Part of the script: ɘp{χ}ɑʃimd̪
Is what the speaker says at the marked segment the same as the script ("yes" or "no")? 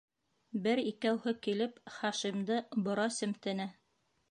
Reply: yes